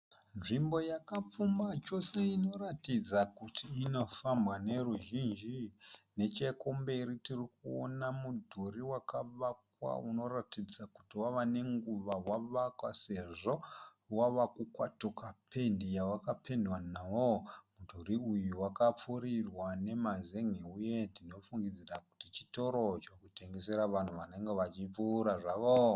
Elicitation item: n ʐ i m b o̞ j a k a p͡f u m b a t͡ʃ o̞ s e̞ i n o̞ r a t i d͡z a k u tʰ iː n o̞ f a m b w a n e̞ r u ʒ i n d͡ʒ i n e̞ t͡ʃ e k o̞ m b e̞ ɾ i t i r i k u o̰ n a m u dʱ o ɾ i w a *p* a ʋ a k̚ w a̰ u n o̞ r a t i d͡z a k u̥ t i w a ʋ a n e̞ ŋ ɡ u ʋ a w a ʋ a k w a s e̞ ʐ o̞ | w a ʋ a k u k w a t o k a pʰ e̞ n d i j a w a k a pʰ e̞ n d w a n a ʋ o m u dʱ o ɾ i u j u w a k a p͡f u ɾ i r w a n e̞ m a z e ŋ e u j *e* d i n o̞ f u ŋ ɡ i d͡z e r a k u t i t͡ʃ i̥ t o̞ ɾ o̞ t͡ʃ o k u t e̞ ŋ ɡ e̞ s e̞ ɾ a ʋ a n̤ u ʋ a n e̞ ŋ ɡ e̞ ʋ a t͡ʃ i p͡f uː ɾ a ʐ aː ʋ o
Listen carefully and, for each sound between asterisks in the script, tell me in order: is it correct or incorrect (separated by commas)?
incorrect, correct